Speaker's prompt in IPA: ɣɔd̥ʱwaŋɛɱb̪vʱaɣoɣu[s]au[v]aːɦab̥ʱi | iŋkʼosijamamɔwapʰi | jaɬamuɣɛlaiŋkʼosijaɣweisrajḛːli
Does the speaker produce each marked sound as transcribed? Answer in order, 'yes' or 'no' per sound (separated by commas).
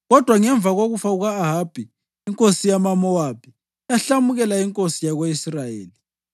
no, no